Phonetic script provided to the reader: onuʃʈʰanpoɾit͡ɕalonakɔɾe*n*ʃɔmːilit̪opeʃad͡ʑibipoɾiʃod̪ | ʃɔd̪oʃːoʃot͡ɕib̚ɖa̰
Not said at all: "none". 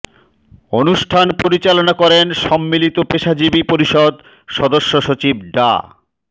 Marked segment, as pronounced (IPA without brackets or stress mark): n